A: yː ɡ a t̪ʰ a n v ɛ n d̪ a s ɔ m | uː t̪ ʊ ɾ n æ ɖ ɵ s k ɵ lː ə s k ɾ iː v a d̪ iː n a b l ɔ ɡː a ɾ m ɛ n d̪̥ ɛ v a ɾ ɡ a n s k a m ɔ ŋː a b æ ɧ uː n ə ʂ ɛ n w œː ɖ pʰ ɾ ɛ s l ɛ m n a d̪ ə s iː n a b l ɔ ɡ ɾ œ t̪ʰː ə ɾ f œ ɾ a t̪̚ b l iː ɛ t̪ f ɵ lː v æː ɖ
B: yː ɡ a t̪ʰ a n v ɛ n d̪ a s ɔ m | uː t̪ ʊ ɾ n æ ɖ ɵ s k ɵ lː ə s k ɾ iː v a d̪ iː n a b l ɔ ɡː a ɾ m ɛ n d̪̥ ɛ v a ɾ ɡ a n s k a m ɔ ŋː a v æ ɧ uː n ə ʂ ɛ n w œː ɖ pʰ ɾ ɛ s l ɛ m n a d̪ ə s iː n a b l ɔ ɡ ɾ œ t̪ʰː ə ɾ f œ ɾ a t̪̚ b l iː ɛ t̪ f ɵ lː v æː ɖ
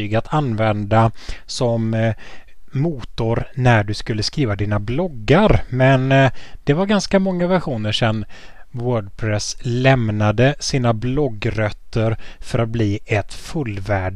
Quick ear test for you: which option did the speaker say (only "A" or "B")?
B